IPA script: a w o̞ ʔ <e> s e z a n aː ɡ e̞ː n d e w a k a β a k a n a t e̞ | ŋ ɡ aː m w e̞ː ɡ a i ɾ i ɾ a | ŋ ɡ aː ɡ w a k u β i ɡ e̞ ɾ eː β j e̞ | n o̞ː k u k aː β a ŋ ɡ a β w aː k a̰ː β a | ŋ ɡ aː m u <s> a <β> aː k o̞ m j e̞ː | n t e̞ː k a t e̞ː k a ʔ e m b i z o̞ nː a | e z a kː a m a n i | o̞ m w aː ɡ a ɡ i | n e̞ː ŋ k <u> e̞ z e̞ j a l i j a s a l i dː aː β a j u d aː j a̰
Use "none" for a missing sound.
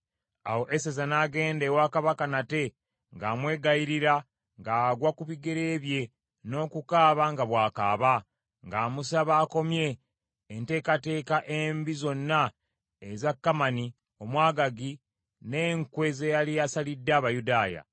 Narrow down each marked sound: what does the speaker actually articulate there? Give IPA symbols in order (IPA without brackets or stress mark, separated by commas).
e, s, β, w